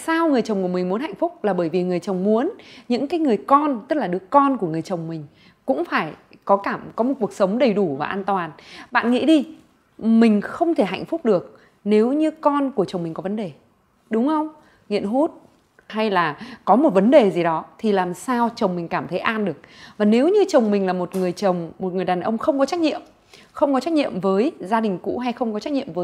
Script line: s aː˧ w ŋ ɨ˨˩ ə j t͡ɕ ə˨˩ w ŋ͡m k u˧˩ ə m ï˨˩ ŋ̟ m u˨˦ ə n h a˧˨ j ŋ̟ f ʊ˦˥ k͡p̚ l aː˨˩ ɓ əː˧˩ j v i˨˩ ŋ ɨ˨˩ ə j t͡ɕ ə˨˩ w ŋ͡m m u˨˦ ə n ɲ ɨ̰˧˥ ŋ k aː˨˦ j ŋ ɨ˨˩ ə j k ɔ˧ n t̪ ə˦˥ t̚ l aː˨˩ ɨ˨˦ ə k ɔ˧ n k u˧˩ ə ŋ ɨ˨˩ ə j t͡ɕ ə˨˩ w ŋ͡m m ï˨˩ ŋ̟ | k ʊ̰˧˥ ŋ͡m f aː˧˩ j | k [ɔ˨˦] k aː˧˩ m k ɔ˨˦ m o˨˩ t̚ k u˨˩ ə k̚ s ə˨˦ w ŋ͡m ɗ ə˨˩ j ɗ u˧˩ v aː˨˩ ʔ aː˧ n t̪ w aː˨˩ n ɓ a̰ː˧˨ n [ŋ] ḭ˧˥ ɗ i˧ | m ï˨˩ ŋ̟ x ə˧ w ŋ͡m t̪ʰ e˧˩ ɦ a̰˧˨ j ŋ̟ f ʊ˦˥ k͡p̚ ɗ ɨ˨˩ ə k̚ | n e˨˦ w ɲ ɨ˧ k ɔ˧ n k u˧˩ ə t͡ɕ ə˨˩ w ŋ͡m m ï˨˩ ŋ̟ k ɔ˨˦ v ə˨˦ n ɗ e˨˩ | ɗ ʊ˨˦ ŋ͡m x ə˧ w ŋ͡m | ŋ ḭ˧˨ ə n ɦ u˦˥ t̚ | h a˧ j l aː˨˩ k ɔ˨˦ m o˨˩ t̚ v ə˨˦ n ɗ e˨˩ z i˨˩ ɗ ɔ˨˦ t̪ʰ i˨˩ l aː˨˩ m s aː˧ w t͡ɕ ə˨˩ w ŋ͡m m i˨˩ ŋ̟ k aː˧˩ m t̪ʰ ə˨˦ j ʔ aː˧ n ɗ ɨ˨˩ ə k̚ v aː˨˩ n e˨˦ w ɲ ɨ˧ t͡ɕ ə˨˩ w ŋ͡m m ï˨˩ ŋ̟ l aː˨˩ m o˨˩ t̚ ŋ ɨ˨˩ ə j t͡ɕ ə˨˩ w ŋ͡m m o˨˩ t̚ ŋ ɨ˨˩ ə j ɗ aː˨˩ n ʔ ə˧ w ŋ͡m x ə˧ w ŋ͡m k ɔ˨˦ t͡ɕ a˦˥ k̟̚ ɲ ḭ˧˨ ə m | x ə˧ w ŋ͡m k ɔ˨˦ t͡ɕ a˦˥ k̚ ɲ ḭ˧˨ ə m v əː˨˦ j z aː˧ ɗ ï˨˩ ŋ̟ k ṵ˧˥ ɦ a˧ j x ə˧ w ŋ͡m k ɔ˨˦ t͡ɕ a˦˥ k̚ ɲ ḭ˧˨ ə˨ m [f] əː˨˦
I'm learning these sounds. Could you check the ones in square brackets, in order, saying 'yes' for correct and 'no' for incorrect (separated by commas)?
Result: yes, yes, no